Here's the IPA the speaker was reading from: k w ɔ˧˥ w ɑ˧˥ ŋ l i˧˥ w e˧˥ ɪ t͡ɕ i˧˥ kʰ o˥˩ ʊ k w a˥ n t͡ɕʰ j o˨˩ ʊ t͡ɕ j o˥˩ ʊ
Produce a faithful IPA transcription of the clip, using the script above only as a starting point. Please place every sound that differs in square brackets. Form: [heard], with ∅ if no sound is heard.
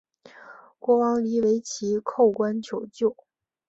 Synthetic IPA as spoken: k w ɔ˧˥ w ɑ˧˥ ŋ l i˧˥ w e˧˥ ɪ [t͡ɕʰ] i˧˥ kʰ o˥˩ ʊ k w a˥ n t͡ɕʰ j o˨˩ ʊ t͡ɕ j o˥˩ ʊ